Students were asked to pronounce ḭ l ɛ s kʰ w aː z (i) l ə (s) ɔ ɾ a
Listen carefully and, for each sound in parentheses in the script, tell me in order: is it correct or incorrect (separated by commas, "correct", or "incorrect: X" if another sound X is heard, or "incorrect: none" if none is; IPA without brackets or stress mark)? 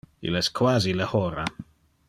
correct, incorrect: h